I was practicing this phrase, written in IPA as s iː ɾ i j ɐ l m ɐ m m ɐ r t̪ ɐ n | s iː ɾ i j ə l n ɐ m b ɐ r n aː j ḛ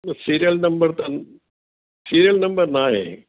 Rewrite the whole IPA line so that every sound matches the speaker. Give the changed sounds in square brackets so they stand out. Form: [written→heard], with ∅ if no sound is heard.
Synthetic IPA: s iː ɾ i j ɐ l [m→n] ɐ m [m→b] ɐ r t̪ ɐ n | s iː ɾ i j [ə→ɐ] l n ɐ m b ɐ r n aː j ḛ